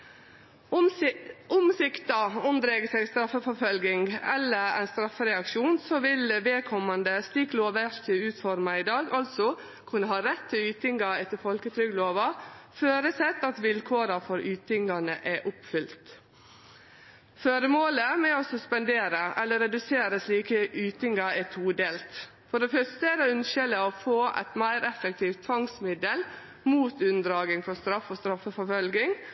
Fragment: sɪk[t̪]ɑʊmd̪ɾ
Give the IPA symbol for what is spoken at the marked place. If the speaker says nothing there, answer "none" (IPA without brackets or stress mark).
t̪